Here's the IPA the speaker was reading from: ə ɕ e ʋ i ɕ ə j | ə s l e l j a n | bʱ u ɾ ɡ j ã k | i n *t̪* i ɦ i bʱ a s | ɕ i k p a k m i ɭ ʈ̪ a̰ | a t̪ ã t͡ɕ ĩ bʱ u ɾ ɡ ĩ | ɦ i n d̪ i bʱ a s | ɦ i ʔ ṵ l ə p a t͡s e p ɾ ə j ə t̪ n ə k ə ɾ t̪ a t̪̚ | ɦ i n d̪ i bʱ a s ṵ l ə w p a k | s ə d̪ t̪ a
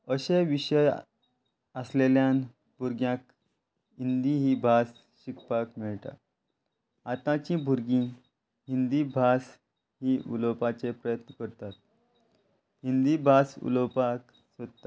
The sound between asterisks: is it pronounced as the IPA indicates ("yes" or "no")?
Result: no